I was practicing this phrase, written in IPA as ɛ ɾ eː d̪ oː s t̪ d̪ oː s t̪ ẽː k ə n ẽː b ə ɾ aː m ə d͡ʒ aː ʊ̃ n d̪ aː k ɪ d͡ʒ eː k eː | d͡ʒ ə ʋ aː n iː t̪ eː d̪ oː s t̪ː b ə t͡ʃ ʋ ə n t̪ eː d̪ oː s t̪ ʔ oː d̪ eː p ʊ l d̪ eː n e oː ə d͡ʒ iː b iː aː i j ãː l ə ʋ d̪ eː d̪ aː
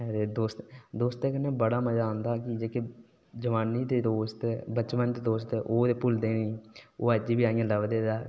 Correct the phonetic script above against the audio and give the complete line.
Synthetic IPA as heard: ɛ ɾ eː d̪ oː s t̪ d̪ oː s t̪ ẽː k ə n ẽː b ə ɽ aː m ə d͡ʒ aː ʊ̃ n d̪ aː k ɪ d͡ʒ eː k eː | d͡ʒ ə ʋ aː n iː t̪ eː d̪ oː s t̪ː b ə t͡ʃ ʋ ə n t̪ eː d̪ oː s t̪ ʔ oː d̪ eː p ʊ l d̪ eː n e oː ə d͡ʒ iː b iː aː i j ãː l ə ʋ d̪ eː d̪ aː